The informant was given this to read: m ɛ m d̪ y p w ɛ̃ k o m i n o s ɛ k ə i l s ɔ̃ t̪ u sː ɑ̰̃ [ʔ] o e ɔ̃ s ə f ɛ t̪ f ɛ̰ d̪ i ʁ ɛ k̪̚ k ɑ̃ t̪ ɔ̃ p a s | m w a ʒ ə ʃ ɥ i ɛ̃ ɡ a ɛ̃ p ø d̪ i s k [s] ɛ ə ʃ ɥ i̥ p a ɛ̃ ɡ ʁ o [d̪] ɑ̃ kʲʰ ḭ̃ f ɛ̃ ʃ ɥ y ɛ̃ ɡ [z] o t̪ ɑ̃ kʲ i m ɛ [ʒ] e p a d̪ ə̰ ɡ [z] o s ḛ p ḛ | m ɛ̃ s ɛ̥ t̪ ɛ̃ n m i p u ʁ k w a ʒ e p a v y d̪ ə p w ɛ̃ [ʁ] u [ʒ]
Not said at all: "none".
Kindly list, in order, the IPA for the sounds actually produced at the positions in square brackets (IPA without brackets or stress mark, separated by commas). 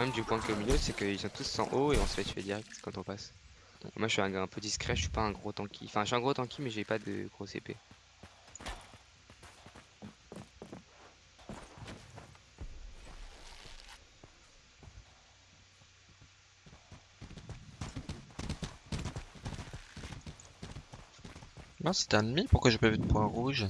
ʔ, χ, t̪, ʁ, ʒ, ʁ, ʁ, ʒ